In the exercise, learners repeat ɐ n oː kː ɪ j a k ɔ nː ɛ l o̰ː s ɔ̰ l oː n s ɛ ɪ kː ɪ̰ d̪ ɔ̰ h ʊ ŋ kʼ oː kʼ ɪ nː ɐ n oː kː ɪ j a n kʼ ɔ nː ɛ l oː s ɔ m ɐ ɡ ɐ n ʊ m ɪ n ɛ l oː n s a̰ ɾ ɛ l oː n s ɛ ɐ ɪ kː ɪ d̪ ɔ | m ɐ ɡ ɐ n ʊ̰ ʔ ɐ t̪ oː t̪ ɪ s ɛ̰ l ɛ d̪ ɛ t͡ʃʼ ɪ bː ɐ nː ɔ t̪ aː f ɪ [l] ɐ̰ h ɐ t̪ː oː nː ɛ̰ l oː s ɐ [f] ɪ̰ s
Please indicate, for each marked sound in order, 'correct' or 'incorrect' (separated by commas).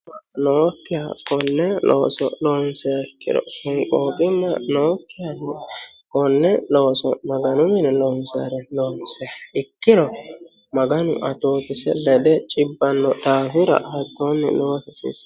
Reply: incorrect, incorrect